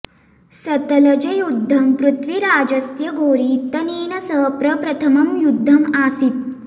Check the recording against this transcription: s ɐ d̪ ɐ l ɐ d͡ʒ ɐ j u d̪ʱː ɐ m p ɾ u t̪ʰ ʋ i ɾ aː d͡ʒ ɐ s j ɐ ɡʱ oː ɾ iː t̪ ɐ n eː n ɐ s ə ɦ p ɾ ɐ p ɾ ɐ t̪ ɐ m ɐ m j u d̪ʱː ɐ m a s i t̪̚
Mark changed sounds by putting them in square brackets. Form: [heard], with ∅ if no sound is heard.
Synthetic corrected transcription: s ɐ [t̪] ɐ l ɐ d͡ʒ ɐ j u d̪ʱː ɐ m p ɾ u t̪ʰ ʋ i ɾ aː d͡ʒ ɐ s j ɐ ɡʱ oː ɾ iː t̪ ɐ n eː n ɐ s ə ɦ p ɾ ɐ p ɾ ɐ [t̪ʰ] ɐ m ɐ m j u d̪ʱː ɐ m a s i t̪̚